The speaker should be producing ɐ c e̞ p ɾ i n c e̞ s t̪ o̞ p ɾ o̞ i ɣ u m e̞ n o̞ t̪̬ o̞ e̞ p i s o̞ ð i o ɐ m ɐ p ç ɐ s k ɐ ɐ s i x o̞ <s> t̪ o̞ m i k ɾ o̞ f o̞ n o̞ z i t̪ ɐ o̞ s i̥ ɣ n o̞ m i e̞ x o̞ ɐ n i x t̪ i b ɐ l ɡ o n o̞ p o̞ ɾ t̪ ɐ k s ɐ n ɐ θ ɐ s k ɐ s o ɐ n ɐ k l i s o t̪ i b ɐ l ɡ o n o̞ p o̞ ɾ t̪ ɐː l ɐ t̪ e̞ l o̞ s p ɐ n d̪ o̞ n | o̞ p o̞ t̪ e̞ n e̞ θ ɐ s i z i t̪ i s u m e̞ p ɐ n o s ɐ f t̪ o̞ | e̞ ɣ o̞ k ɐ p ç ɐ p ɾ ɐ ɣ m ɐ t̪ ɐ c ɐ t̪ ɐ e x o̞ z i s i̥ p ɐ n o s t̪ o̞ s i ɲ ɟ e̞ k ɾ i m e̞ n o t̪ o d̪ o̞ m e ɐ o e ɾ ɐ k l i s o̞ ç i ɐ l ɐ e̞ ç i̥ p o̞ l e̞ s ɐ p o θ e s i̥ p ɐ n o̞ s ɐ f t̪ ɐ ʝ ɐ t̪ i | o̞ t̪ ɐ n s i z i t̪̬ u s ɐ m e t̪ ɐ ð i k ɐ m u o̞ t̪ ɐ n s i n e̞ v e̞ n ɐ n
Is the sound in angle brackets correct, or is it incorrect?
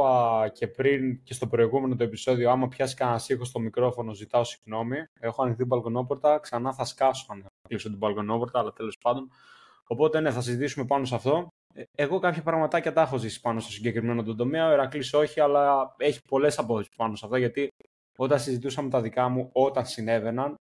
correct